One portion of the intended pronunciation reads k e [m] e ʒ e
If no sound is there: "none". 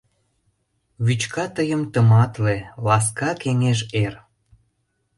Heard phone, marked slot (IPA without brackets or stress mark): ŋ